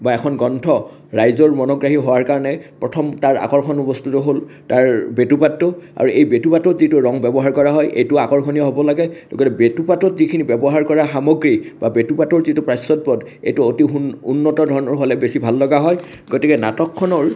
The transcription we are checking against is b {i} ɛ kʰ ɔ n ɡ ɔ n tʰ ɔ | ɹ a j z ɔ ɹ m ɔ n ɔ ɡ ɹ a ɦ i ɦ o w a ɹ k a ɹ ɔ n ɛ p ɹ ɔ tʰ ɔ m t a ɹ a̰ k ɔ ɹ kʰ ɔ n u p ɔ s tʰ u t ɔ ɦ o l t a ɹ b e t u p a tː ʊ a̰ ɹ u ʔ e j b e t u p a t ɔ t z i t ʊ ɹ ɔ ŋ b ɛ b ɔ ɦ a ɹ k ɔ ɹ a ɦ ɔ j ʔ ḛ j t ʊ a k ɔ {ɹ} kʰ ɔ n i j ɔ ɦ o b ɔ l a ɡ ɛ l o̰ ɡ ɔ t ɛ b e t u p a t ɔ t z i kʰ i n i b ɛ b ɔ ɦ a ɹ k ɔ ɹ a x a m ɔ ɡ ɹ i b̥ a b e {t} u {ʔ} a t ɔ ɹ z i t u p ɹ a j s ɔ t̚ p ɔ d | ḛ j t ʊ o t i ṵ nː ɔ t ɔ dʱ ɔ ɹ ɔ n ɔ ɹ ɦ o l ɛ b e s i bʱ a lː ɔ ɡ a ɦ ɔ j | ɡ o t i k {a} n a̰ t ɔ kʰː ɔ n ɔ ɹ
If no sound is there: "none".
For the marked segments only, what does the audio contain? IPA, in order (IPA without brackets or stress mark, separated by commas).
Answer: a, ɹ, t, p, ɛ